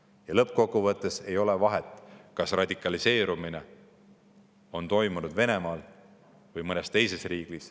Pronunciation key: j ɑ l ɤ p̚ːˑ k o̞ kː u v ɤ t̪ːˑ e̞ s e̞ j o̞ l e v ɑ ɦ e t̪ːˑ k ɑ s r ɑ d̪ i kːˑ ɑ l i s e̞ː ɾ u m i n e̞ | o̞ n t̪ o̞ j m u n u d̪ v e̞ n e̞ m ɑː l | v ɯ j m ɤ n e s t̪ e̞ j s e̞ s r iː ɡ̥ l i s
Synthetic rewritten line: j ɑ l ɤ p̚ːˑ k o̞ kː u v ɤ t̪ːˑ e̞ s e̞ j o̞ l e v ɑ ɦ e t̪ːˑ k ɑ s r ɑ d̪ i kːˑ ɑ l i s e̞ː ɾ u m i n e̞ | o̞ n t̪ o̞ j m u n u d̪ v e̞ n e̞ m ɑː l | v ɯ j m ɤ n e s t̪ e̞ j s e̞ s r iː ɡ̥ l i s

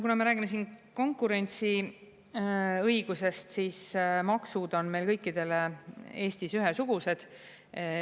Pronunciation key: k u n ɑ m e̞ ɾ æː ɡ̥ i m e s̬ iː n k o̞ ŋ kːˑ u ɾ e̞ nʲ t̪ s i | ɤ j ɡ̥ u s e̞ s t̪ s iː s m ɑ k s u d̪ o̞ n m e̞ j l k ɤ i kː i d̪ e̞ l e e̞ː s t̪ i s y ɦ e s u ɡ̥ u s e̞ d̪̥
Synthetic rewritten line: k u n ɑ m e̞ ɾ æː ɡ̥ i m e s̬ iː n k o̞ ŋ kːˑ u ɾ e̞ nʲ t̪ s i | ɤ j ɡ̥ u s e̞ s t̪ s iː s m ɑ k s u d̪ o̞ n m e̞ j l k ɤ j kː i d̪ e̞ l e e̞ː s t̪ i s y ɦ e s u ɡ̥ u s e̞ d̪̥

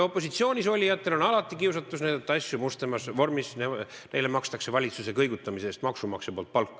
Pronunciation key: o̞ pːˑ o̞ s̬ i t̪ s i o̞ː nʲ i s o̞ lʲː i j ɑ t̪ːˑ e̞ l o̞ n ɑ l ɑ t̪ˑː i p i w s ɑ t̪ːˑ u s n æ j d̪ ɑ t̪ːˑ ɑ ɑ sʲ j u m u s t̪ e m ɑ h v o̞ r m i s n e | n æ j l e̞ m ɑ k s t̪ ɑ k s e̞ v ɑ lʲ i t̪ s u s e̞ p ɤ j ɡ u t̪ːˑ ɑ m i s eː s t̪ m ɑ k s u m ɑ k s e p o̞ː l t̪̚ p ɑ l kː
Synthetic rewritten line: o̞ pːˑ o̞ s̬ i t̪ s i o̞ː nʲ i s o̞ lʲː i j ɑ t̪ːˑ e̞ l o̞ n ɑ l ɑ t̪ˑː i k i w s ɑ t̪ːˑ u s n æ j d̪ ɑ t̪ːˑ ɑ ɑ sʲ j u m u s t̪ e m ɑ s v o̞ r m i s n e | n e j l e̞ m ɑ k s t̪ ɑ k s e̞ v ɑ lʲ i t̪ s u s e̞ k ɤ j ɡ u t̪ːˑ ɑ m i s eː s t̪ m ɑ k s u m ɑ k s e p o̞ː l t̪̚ p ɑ l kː

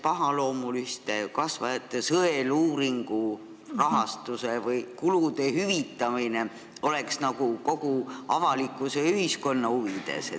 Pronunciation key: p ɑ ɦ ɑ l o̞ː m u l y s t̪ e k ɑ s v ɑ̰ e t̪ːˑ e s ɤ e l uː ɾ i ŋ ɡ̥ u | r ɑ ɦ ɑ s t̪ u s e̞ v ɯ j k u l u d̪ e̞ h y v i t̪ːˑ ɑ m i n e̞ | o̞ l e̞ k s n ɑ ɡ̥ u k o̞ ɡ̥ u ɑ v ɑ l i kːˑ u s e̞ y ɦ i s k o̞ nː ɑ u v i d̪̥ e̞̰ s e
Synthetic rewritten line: p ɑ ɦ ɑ l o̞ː m u l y s t̪ e k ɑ s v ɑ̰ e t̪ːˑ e s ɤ e l uː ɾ i ŋ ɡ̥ u | r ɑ ɦ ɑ s t̪ u s e̞ v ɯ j k u l u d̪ e̞ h y v i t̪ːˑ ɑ m i n e̞ | o̞ l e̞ k s n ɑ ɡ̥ u k o̞ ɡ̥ u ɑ v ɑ l i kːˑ u s e̞ y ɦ i s k o̞ nː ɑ u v i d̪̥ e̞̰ s e

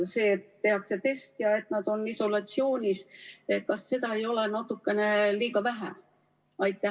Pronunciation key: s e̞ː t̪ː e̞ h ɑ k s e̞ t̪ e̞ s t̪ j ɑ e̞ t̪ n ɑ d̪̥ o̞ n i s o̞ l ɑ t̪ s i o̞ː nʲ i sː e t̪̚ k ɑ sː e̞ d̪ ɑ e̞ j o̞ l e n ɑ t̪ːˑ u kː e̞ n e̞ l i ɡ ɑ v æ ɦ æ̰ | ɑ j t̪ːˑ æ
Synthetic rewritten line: s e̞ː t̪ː e̞ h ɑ k s e̞ t̪ e̞ s t̪ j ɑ e̞ t̪ n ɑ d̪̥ o̞ n i s o̞ l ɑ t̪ s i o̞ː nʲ i s e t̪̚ k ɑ sː e̞ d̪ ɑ e̞ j o̞ l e n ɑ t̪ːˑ u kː e̞ n e̞ l iː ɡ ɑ v æ ɦ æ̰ | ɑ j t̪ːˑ æ

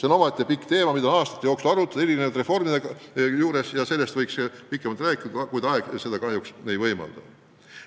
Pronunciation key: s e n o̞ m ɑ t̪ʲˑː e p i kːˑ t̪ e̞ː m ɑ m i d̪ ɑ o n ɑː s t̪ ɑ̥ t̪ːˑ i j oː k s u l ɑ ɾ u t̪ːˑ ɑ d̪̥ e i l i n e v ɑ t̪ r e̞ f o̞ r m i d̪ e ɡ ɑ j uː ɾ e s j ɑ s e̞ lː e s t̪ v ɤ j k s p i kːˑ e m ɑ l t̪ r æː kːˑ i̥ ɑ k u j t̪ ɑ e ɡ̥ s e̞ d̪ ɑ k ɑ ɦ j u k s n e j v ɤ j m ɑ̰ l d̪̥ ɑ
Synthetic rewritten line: s e n o̞ m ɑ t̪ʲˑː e p i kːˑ t̪ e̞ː m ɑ m i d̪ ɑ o n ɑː s t̪ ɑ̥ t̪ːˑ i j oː k s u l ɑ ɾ u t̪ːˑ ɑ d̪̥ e i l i n e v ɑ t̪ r e̞ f o̞ r m i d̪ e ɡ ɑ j uː ɾ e s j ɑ s e̞ lː e s t̪ v ɤ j k s p i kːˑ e m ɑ l t̪ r æː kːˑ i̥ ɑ k u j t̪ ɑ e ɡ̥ s e̞ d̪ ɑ k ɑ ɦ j u k s n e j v ɤ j m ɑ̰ l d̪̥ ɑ

